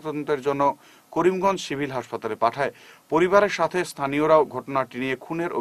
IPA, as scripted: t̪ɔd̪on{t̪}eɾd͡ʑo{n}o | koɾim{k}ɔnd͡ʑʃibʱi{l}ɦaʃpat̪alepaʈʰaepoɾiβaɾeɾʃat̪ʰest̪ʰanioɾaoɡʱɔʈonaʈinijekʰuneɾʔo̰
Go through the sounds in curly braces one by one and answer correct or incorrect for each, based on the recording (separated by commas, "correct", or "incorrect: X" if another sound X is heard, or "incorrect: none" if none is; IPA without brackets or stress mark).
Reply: correct, incorrect: nː, incorrect: ɡ, correct